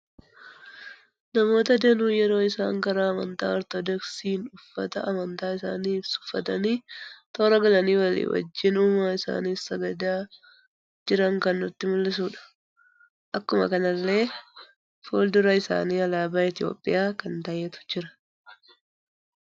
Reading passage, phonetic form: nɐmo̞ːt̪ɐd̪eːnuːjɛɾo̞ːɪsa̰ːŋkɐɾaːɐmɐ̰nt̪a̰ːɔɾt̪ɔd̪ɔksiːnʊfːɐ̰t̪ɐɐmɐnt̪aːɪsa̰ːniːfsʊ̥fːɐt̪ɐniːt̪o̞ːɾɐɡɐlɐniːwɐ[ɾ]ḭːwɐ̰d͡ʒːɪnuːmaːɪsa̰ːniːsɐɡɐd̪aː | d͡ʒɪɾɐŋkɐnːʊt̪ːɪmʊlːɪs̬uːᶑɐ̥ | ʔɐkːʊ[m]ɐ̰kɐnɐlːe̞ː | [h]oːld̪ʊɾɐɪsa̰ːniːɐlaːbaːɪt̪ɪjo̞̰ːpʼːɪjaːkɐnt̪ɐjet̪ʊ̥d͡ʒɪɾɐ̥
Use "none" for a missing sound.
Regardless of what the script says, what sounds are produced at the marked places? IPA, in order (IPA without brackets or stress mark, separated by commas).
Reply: l, m, f